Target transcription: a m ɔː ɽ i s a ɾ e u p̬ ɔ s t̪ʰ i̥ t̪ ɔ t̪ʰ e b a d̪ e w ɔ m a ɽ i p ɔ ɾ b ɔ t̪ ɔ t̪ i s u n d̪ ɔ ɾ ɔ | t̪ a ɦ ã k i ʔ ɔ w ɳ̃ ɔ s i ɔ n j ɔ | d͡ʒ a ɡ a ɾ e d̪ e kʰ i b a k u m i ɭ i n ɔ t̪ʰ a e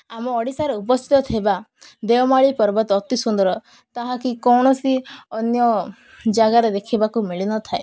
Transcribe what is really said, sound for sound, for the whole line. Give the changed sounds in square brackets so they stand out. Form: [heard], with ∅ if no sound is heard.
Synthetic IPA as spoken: a m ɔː ɽ i s a ɾ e u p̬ ɔ s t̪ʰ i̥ t̪ ɔ t̪ʰ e b a d̪ e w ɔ m a [ɭ] i p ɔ ɾ b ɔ t̪ ɔ t̪ i s u n d̪ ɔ ɾ ɔ | t̪ a ɦ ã k i [k] ɔ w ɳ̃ ɔ s i ɔ n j ɔ | d͡ʒ a ɡ a ɾ e d̪ e kʰ i b a k u m i ɭ i n ɔ t̪ʰ a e